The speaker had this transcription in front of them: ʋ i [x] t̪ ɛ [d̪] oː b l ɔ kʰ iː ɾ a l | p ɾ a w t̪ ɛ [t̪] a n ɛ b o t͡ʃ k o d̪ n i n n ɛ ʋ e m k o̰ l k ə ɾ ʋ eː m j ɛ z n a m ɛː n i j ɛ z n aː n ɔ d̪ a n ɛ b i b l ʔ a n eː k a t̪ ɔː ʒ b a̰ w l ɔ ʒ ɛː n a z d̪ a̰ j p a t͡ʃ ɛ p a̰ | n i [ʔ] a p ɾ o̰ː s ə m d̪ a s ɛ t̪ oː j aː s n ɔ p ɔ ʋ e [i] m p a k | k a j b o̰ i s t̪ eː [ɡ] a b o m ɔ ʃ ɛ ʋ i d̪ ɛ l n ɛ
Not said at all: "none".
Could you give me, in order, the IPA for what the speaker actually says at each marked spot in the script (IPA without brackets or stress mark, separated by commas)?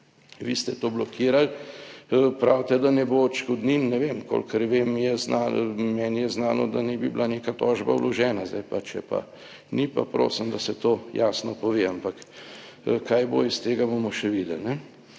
s, t̪, d̪, p, a, ɡ